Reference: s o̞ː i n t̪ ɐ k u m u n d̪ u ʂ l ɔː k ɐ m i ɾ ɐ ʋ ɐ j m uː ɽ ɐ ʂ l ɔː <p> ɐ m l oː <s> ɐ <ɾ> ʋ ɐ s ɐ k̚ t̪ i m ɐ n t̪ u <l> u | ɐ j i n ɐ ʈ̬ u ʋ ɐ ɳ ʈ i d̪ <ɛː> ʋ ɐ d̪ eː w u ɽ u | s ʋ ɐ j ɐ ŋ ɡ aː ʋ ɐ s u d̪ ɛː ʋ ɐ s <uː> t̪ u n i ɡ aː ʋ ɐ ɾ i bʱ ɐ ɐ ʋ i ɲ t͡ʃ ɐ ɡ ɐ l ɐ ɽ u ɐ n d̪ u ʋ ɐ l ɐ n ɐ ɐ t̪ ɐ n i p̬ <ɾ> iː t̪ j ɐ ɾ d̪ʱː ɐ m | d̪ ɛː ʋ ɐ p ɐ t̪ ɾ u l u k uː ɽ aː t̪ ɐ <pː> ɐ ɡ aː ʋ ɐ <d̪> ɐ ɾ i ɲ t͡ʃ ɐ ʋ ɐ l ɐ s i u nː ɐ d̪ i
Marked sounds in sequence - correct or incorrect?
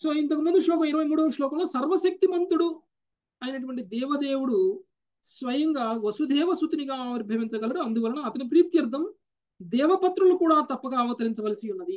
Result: incorrect: k, correct, correct, incorrect: ɽ, correct, incorrect: u, correct, correct, incorrect: t̪

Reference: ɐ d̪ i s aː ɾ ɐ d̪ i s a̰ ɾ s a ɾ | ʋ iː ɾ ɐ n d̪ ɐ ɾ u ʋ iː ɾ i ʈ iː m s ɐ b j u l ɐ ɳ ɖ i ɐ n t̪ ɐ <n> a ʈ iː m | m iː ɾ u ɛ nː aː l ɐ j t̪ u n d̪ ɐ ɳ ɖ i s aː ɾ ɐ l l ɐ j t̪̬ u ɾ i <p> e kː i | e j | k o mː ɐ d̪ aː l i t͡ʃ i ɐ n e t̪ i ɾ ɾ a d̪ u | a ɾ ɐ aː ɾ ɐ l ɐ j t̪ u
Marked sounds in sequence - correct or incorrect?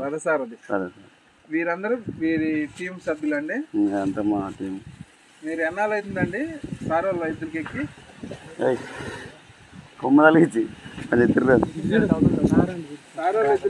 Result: incorrect: m, incorrect: k

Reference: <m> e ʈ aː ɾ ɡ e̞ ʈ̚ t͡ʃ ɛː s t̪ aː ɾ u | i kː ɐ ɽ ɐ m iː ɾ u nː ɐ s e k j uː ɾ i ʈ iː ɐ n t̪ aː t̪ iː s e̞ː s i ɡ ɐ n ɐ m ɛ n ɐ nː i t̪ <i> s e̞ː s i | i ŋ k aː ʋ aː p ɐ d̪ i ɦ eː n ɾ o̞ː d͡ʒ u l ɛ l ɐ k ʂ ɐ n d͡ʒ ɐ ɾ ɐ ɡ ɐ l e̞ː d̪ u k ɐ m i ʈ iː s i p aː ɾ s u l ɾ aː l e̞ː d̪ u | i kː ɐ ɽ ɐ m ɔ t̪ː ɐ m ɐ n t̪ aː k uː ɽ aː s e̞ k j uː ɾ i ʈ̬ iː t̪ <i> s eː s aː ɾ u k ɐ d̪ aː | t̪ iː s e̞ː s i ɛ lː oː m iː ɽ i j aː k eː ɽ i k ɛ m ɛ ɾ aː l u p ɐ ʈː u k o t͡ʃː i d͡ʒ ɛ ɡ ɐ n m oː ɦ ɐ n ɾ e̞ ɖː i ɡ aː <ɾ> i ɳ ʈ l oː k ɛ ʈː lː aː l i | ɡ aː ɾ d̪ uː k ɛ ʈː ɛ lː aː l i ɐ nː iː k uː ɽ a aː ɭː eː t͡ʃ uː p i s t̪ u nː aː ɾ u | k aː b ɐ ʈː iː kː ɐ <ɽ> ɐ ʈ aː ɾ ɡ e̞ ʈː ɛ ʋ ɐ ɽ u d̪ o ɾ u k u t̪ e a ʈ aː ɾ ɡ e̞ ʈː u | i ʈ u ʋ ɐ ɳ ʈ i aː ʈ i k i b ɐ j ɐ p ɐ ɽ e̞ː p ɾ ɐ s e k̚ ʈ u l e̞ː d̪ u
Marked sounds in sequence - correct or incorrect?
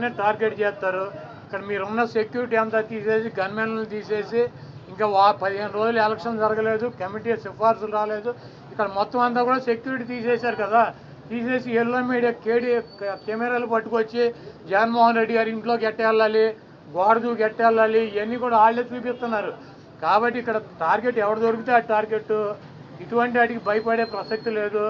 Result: incorrect: n, incorrect: iː, incorrect: iː, correct, correct

